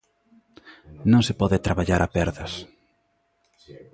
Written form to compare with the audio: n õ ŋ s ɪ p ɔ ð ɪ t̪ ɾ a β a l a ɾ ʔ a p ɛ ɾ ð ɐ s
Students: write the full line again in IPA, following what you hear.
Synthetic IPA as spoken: n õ ŋ s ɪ p ɔ ð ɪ t̪ ɾ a β a ʎ a ɾ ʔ a p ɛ ɾ ð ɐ s